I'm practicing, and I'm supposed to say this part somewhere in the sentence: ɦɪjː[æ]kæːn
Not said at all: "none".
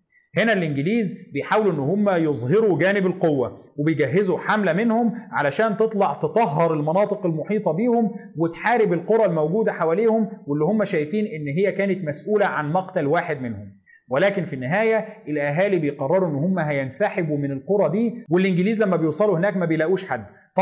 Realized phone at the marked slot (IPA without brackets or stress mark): æ